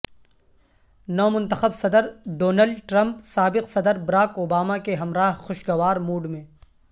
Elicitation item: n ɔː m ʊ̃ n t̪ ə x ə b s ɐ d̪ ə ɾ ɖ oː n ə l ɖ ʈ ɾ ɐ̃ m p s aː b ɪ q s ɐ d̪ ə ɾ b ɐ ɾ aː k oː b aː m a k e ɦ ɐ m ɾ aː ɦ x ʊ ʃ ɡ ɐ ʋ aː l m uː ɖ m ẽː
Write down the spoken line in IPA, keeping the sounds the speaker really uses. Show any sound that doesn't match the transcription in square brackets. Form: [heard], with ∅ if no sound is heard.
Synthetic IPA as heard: n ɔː m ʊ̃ n t̪ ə x ə b s ɐ d̪ ə ɾ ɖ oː n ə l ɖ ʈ ɾ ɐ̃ m p s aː b ɪ q s ɐ d̪ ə ɾ b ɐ ɾ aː k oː b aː m a k e ɦ ɐ m ɾ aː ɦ x ʊ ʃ ɡ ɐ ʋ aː [ɾ] m uː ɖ m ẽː